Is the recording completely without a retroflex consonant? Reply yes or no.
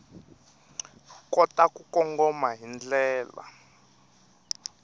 yes